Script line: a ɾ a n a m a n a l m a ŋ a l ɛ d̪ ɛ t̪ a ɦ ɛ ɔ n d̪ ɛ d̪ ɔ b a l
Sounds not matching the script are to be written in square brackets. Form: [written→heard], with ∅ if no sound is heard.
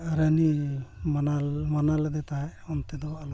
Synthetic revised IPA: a ɾ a n [a→i] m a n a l m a [ŋ→n] a l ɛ d̪ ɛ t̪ a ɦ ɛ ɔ n [d̪→t̪] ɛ d̪ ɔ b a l